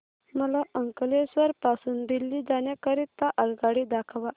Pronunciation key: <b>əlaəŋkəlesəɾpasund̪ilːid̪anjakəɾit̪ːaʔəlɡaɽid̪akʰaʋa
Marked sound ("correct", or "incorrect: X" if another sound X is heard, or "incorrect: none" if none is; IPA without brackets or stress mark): incorrect: m